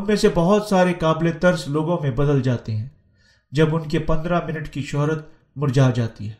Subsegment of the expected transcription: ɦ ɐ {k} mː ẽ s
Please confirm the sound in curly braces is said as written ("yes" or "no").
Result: no